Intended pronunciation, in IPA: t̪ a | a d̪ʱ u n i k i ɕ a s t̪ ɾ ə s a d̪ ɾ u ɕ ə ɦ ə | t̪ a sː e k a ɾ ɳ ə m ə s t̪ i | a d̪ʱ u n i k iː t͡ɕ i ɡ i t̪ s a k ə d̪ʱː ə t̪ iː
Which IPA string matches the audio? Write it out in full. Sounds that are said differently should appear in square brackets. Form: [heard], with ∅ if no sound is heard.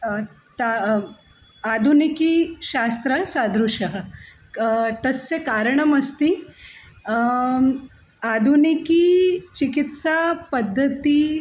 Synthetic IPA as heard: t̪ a | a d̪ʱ u n i k i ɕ a s t̪ ɾ ə s a d̪ ɾ u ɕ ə ɦ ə | t̪ [ə] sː e k a ɾ ɳ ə m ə s t̪ i | a d̪ʱ u n i k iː t͡ɕ i [k] i t̪ s a [p] ə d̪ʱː ə t̪ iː